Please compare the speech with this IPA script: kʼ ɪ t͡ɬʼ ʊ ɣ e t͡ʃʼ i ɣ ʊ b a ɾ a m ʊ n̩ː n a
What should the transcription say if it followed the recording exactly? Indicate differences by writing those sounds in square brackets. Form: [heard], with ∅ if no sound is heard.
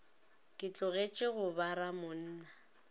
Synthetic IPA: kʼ ɪ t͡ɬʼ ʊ ɣ e t͡ʃʼ [ɪ] ɣ ʊ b a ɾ a m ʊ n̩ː n a